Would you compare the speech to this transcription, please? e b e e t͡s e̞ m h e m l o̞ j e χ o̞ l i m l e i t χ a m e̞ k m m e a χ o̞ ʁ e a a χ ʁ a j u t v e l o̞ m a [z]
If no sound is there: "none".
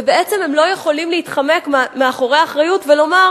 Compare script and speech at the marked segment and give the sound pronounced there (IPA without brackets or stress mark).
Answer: ʁ